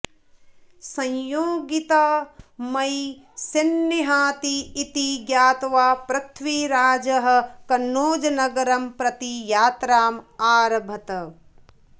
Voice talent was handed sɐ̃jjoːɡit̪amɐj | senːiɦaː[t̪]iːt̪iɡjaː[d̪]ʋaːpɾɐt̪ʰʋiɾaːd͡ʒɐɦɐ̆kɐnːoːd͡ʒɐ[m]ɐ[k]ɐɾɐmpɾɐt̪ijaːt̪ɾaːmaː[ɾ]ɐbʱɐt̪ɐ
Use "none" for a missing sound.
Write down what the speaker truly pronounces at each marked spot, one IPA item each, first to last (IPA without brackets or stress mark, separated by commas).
t̪, t̪, n, ɡ, ɾ